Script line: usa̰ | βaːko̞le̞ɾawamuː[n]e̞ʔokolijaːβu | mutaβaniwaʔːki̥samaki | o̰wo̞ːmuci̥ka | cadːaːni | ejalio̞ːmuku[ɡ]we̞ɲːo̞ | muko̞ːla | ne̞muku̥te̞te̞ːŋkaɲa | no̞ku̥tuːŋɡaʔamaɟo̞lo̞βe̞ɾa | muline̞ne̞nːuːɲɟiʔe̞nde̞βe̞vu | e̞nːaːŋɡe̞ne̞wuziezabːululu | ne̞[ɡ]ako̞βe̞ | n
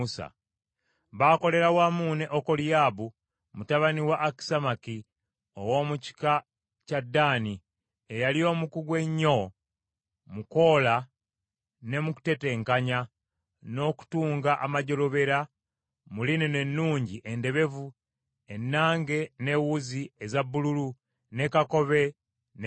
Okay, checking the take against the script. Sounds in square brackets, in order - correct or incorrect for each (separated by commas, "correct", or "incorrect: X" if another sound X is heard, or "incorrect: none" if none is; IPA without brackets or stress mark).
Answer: correct, correct, incorrect: k